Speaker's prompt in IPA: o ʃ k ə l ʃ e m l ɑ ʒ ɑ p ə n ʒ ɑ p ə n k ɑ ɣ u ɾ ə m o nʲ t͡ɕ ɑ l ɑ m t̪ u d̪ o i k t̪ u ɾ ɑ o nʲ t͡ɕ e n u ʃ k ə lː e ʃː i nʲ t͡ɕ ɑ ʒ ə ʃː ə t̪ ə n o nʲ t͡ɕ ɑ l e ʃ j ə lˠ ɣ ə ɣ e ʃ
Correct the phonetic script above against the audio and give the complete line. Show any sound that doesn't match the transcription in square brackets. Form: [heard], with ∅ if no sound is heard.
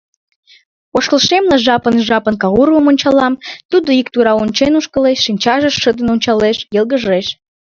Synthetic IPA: o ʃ k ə l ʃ e m l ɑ ʒ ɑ p ə n ʒ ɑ p ə n k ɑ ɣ u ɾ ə m o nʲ t͡ɕ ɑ l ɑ m t̪ u d̪ o i k t̪ u ɾ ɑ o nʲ t͡ɕ e n u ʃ k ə [l] e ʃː i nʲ t͡ɕ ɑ ʒ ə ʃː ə [d̪] ə n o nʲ t͡ɕ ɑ l e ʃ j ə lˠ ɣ ə [ʒ] e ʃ